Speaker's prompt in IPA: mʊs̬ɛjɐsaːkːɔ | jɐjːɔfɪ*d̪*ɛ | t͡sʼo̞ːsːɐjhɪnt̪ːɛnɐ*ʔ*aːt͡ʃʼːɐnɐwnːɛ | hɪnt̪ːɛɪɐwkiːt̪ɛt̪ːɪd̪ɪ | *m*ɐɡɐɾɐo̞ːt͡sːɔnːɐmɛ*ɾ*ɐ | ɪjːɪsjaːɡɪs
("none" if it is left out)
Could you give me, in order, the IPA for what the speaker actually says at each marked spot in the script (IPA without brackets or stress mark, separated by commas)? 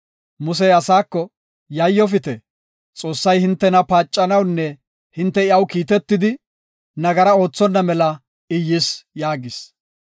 t̪, p, n, l